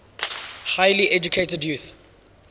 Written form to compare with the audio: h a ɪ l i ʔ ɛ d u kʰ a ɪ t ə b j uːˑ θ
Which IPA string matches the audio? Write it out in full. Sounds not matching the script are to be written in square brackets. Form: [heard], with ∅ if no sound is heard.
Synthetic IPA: h a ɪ l i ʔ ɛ [d͡ʒ] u kʰ [e] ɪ t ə [d] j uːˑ θ

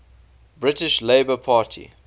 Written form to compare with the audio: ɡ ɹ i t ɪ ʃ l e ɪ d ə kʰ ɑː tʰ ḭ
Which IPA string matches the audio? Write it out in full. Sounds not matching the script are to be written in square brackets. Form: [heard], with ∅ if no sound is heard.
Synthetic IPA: [b] ɹ [ɪ] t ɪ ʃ l e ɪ [b] ə [pʰ] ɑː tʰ ḭ

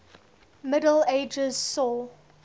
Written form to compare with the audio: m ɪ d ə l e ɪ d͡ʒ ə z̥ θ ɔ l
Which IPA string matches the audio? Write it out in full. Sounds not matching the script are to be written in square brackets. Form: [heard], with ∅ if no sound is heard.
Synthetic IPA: m ɪ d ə l e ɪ d͡ʒ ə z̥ [s] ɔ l

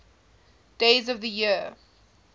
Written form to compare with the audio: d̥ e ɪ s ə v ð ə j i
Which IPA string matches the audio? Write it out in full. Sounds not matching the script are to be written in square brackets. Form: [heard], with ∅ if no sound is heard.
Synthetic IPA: d̥ e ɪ [z] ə v ð ə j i

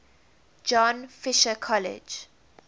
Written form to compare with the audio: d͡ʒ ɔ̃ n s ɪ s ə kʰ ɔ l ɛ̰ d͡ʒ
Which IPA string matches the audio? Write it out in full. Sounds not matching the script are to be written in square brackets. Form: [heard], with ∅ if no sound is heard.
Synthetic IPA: d͡ʒ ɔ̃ n [f] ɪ [ʃ] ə kʰ ɔ l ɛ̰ d͡ʒ

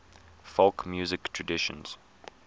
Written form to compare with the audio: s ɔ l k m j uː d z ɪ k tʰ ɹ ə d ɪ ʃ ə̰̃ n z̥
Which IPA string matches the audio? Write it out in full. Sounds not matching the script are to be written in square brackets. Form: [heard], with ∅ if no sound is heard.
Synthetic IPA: [f] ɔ l k m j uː [∅] z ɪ k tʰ ɹ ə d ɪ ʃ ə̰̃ n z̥

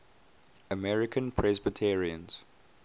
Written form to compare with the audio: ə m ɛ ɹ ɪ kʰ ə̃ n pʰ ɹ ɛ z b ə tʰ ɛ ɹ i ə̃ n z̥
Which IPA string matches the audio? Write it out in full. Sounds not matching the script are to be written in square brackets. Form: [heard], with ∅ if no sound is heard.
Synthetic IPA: ə m ɛ ɹ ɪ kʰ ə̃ n pʰ ɹ ɛ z b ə tʰ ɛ ɹ i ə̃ n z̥

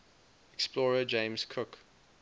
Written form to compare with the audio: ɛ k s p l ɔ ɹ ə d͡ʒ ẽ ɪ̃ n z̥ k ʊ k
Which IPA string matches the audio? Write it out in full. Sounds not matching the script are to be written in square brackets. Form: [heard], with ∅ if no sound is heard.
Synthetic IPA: ɛ k s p l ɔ ɹ ə d͡ʒ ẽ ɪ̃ [m] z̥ [kʰ] ʊ k

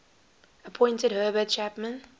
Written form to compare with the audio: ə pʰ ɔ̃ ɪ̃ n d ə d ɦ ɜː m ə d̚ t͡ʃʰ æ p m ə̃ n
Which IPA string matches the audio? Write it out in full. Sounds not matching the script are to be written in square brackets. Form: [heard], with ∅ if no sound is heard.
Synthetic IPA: ə pʰ ɔ̃ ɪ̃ n [t] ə d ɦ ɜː [b] ə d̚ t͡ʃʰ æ p m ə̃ n

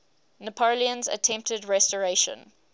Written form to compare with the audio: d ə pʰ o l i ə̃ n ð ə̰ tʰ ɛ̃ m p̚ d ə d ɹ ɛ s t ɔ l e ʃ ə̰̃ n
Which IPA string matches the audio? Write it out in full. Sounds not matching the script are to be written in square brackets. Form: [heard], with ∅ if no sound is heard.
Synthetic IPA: [n] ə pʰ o l i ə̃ n [z] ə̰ tʰ ɛ̃ m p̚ [t] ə d ɹ ɛ s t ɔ [ɹ] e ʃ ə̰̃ n

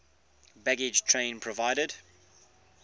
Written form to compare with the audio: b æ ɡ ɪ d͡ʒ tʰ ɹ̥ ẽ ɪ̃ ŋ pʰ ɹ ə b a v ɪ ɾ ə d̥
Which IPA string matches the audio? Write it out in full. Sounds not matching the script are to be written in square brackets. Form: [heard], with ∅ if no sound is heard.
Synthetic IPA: b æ ɡ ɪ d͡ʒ tʰ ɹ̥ ẽ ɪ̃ [n] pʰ ɹ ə [v] a [∅] ɪ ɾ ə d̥

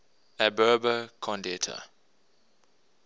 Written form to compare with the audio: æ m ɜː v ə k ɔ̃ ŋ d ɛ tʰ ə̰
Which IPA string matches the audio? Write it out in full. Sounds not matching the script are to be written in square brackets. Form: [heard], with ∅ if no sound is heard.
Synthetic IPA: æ [b] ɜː [b] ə [kʰ] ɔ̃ [n] d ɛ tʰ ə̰

